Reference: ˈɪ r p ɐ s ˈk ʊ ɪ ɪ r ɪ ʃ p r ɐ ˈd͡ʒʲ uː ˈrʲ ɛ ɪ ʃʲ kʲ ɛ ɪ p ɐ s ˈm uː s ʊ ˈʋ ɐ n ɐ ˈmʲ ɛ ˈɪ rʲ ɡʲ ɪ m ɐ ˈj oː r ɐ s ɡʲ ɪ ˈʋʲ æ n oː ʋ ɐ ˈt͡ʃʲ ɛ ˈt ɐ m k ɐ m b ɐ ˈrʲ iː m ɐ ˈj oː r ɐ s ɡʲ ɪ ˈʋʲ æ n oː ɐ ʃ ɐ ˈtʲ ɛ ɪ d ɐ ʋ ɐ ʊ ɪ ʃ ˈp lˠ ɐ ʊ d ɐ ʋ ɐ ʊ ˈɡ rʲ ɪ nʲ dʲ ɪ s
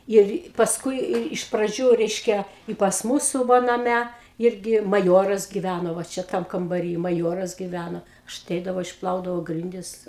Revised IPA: ˈɪ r p ɐ s ˈk ʊ ɪ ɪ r ɪ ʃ p r ɐ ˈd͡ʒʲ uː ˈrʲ ɛ ɪ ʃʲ kʲ ɛ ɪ p ɐ s ˈm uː s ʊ ˈʋ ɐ n ɐ ˈmʲ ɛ ˈɪ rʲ ɡʲ ɪ m ɐ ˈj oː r ɐ s ɡʲ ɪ ˈʋʲ æ n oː ʋ ɐ ˈt͡ʃʲ ɛ ˈt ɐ m k ɐ m b ɐ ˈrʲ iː m ɐ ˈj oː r ɐ s ɡʲ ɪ ˈʋʲ æ n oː ɐ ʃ ɐ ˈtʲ ɛ ɪ d ɐ ʋ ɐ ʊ ɪ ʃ ˈp lˠ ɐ ʊ d ɐ ʋ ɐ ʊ ˈɡ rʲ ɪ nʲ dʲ ɪ s